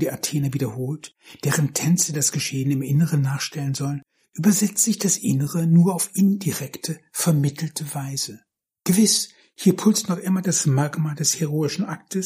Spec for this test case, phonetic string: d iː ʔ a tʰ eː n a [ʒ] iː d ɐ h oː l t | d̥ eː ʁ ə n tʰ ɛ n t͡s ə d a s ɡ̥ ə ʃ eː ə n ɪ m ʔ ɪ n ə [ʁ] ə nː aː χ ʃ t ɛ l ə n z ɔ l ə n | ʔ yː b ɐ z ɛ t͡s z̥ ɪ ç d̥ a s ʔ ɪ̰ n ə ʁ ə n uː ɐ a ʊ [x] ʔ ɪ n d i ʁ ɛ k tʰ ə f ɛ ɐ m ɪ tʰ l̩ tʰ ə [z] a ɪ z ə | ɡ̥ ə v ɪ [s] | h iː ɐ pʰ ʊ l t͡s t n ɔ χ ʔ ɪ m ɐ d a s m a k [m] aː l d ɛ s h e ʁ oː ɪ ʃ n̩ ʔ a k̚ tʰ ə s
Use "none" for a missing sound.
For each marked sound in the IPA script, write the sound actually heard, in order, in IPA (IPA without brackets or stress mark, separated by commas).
v, ʁ, f, v, s, m